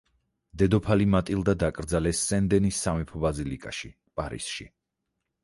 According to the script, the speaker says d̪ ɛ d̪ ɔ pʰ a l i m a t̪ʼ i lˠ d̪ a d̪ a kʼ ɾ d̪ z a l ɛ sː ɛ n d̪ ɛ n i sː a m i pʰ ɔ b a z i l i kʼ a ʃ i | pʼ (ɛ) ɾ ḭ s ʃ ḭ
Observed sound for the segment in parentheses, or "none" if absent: a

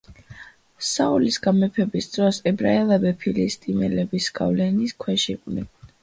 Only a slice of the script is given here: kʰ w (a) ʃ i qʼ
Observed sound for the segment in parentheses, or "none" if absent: ɛ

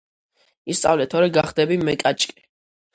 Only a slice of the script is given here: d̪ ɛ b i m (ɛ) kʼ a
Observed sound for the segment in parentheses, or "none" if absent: ɛ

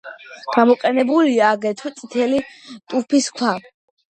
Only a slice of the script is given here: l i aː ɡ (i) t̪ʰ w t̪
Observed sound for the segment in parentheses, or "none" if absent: ɛ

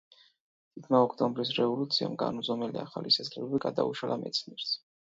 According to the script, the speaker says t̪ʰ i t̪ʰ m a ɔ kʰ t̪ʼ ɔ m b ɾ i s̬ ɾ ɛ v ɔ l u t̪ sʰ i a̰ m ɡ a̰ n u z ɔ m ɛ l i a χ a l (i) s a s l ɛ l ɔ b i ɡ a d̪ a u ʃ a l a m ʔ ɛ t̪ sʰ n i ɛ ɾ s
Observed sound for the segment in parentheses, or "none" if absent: i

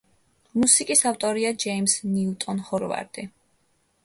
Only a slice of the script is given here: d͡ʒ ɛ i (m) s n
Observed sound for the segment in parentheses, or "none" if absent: m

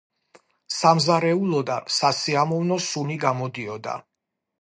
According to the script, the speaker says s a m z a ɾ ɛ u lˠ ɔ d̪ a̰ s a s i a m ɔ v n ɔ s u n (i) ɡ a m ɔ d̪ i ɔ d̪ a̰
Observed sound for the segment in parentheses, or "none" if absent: i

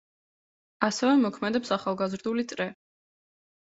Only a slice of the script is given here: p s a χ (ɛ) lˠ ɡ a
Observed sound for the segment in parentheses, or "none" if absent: a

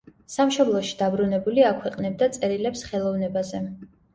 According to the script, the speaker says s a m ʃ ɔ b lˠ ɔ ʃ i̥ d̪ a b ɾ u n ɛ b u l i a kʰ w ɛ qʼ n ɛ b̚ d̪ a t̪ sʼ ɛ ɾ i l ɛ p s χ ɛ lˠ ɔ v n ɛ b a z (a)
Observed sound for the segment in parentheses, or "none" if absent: ɛ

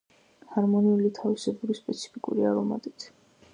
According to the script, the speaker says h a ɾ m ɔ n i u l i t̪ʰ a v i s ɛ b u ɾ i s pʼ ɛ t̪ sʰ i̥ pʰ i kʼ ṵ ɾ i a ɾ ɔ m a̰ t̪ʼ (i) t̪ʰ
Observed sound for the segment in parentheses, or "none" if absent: i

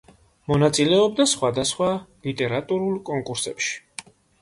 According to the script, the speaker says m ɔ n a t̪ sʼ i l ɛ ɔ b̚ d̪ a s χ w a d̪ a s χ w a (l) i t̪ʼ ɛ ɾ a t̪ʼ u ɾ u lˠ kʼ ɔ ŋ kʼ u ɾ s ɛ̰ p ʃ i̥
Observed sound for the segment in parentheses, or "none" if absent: l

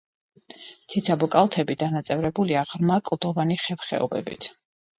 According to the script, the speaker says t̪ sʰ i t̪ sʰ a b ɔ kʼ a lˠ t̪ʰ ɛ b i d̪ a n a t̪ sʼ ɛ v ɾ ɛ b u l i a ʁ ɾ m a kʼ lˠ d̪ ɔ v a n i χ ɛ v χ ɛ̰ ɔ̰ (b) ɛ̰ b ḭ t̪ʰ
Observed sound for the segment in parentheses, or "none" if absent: b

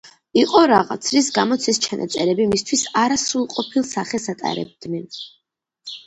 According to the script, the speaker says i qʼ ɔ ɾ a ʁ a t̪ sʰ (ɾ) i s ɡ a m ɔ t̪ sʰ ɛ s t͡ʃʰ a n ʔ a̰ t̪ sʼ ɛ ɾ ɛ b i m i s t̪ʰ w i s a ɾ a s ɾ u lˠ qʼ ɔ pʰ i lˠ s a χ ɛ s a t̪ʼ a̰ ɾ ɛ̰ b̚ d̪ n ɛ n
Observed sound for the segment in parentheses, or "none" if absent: ɾ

